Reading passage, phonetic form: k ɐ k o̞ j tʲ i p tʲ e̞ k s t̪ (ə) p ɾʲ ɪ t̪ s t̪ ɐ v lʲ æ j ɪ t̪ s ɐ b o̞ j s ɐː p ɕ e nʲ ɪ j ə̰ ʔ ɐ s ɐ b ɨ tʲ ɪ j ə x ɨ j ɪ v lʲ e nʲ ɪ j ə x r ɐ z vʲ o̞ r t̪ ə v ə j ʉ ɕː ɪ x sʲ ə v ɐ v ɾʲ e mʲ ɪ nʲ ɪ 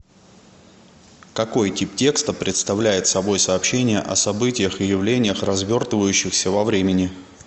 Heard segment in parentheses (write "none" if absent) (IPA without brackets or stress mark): ə